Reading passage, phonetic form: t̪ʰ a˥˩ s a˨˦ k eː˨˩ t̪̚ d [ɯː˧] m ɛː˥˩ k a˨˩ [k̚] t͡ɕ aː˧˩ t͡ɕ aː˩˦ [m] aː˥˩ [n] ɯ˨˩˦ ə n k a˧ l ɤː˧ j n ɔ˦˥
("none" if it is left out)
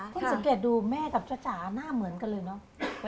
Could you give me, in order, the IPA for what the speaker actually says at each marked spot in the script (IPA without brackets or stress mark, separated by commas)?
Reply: uː˧, p̚, n, m